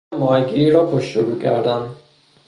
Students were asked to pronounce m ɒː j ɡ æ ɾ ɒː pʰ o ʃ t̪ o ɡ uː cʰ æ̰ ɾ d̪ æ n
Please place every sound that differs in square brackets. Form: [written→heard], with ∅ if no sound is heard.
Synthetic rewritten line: m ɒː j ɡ [æ→i] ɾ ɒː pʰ o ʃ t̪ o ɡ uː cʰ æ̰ ɾ d̪ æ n